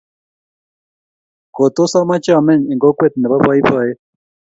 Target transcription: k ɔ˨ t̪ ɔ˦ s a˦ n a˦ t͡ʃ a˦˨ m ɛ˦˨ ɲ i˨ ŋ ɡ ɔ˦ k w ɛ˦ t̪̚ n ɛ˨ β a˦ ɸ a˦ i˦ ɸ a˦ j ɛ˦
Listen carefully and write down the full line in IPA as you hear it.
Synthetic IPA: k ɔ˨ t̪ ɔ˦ s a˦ m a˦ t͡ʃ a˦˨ m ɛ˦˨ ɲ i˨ ŋ ɡ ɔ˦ k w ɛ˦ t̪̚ n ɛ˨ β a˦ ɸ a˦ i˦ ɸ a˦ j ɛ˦